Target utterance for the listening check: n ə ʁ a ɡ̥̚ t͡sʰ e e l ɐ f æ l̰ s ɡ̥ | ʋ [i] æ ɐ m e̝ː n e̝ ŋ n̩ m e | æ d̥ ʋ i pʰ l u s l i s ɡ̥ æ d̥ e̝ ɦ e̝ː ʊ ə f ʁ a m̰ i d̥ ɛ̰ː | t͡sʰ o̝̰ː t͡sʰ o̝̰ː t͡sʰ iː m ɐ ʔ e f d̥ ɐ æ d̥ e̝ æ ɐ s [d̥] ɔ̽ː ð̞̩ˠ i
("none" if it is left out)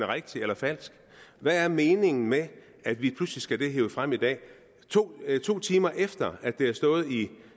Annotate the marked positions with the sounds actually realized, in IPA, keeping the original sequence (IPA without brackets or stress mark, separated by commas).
æ, d̥